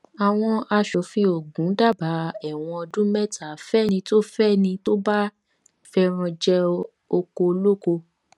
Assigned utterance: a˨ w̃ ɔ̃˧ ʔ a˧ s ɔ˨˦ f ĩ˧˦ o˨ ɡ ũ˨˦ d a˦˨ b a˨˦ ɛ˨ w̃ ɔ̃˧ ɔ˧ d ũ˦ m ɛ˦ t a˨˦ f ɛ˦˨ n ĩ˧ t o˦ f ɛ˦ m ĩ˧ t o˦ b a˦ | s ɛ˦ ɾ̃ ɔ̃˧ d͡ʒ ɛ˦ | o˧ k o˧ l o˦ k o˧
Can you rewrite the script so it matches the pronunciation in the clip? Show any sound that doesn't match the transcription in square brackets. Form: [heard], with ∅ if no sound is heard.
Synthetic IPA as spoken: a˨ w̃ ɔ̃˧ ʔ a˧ [ʃ] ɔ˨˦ f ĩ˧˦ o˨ ɡ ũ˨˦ d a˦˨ b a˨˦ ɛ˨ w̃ ɔ̃˧ ɔ˧ d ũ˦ m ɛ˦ t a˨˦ f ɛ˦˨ n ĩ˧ t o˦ f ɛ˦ [n] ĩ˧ t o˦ b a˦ | [f] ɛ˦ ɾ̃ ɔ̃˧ d͡ʒ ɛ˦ | o˧ k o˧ l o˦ k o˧